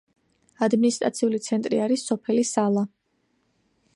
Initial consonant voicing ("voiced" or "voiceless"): voiced